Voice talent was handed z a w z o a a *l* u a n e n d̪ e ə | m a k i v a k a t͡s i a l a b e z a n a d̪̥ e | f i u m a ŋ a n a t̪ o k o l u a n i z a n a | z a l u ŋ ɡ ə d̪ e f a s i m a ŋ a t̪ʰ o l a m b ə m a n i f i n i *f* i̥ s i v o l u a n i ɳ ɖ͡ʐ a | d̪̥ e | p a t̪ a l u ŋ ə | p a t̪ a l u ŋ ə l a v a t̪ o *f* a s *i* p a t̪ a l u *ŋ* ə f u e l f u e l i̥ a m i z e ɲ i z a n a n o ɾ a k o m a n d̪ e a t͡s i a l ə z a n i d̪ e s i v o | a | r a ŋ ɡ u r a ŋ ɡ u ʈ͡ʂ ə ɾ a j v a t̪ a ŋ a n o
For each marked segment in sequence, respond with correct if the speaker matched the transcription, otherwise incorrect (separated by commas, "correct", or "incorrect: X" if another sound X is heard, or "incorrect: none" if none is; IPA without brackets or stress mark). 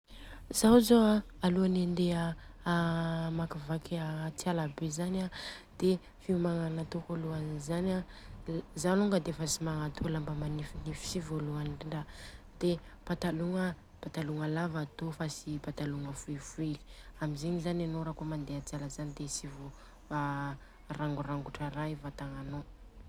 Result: correct, correct, correct, correct, correct